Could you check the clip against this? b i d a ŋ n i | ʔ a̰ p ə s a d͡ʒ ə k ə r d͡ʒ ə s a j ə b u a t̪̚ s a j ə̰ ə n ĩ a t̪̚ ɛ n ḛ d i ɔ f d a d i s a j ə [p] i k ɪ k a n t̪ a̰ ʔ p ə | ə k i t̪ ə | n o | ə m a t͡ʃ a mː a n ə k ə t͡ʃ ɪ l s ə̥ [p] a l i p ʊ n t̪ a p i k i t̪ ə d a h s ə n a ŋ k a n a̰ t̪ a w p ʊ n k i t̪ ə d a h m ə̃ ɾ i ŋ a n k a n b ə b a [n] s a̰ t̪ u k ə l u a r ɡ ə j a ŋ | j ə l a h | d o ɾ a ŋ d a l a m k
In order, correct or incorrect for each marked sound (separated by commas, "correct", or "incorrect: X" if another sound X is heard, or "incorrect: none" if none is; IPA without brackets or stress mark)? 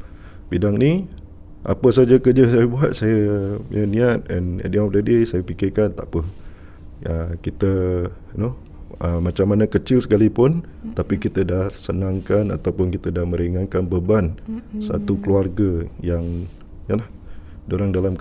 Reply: correct, incorrect: k, correct